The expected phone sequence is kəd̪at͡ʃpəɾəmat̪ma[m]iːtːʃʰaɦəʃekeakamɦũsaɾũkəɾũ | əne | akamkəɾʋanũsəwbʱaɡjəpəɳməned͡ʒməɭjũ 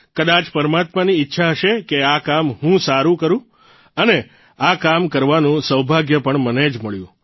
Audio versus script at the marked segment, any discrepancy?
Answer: yes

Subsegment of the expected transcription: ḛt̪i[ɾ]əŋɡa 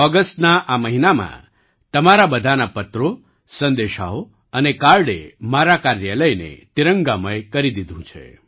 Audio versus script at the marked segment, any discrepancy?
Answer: no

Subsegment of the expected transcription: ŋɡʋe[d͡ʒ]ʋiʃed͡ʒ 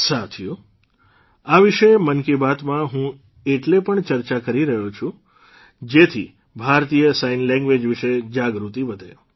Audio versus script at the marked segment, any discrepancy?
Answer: no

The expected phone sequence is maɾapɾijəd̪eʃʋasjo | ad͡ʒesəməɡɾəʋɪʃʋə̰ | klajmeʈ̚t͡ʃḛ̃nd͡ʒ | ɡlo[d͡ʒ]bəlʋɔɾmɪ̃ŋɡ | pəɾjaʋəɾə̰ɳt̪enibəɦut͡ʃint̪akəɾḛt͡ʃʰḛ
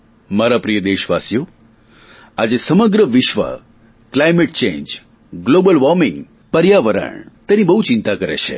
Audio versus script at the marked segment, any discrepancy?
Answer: yes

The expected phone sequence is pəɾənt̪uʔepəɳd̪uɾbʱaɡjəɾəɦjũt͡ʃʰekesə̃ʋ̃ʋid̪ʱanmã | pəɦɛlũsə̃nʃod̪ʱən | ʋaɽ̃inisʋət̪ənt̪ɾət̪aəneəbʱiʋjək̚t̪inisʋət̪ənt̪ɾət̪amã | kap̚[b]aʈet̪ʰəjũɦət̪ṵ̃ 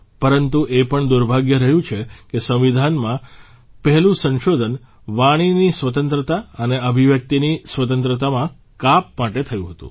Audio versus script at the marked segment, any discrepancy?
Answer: yes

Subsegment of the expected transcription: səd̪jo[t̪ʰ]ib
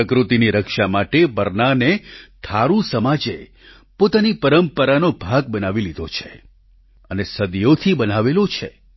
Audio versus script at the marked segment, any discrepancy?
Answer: no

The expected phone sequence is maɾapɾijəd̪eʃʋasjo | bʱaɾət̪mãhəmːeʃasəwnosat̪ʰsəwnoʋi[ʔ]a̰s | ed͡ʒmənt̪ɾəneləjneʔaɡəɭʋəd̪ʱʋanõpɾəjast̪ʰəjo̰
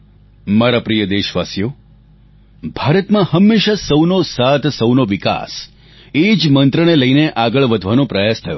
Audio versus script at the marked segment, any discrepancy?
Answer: yes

